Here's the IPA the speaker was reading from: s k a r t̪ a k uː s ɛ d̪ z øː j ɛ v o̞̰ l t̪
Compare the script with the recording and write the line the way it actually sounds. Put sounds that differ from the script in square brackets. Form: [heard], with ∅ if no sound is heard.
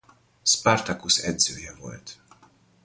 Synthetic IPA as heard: s [p] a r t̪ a k [u] s ɛ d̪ z øː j ɛ v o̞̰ l t̪